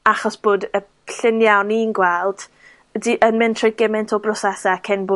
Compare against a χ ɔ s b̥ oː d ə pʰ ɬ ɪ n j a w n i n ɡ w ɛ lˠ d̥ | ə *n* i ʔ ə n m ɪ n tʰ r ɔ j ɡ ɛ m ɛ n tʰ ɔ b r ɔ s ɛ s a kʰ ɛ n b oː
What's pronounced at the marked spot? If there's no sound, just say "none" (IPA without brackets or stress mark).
d